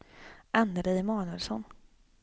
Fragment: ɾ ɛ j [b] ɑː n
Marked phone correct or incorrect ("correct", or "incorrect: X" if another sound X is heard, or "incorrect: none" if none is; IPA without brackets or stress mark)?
incorrect: m